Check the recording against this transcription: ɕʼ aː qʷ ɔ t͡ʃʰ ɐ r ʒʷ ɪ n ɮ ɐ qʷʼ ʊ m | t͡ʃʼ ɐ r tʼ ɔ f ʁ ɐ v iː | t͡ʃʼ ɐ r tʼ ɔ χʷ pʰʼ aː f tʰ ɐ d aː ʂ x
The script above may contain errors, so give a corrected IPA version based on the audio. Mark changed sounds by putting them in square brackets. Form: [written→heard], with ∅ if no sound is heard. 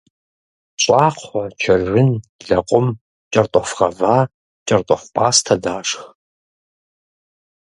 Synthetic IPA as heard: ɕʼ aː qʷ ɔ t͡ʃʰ ɐ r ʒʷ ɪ n ɮ ɐ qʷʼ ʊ m | t͡ʃʼ ɐ r tʼ ɔ f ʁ ɐ v [iː→aː] | t͡ʃʼ ɐ r tʼ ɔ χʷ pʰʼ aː [f→s] tʰ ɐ d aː ʂ x